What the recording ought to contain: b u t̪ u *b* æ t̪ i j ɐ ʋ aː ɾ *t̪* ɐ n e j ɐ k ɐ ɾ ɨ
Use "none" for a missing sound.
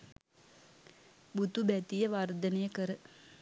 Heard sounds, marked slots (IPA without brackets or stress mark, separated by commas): b, d̪